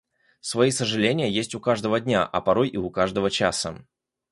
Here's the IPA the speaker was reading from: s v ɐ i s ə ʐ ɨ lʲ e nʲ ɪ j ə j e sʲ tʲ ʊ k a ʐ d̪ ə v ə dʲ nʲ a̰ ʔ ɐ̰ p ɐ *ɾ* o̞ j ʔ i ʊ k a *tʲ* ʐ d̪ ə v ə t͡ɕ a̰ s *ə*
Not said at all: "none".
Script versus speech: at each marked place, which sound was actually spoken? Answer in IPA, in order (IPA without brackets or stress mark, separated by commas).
ɾ, none, ə